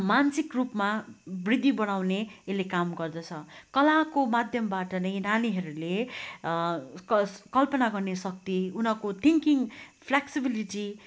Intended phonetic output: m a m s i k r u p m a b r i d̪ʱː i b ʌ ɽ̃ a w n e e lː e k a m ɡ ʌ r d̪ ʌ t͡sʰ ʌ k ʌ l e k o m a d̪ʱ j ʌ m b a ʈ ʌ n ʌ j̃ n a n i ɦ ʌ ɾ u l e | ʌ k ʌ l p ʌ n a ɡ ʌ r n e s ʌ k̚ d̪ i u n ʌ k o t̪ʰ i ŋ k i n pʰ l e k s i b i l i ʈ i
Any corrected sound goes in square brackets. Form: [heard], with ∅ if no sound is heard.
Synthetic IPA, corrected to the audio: m a [n] s i k r u p m a b r i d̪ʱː i b ʌ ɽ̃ a w n e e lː e k a m ɡ ʌ r d̪ ʌ t͡sʰ ʌ k ʌ l [a] k o m a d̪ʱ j ʌ m b a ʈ ʌ n ʌ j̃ n a n i ɦ ʌ ɾ u l e | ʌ k ʌ l p ʌ n a ɡ ʌ r n e s ʌ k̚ [t̪] i u n ʌ k o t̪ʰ i ŋ k i [ŋ] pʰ l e k s i b i l i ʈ i